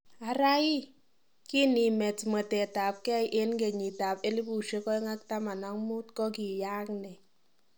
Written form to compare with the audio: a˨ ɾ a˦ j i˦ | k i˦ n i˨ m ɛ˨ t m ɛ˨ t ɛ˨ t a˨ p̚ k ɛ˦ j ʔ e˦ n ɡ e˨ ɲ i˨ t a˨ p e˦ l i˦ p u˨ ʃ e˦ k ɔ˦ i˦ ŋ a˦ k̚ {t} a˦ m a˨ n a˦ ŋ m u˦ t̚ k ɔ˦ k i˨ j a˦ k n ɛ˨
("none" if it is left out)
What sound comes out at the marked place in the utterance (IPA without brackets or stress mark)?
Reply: t